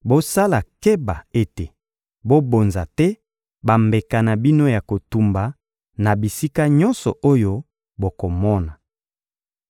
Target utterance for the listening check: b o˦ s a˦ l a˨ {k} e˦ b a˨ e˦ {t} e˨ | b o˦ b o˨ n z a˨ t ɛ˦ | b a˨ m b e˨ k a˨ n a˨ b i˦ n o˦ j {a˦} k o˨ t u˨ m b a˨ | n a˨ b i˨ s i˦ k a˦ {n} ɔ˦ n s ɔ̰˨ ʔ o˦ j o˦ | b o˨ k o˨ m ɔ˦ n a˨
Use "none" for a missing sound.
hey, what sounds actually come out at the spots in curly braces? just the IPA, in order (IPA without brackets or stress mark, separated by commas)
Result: k, t, a˨, ɲ